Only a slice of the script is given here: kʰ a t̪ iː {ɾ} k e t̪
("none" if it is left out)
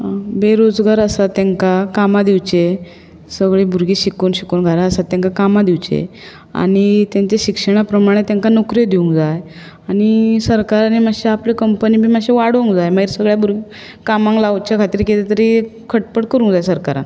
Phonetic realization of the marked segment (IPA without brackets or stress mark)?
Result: ɾ